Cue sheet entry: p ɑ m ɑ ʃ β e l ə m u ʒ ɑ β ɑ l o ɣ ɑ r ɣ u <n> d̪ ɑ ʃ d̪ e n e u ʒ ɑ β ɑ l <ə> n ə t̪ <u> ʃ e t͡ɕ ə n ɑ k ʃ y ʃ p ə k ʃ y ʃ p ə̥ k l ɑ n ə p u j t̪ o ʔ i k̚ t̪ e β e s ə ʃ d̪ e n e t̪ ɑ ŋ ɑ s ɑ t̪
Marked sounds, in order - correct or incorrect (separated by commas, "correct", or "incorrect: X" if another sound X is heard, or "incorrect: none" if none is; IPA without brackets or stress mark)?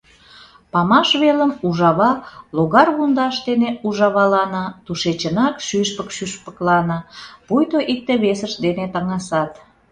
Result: correct, incorrect: ɑ, correct